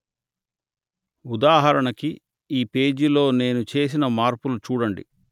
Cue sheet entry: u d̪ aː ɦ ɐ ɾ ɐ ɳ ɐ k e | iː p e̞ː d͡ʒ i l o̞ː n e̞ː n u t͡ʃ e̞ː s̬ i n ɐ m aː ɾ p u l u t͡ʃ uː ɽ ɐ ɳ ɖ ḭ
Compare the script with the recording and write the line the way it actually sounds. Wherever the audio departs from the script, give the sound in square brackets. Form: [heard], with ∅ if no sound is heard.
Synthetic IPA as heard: u d̪ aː ɦ ɐ ɾ ɐ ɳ ɐ k [i] | iː p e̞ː d͡ʒ i l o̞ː n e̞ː n u t͡ʃ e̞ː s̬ i n ɐ m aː ɾ p u l u t͡ʃ uː ɽ ɐ ɳ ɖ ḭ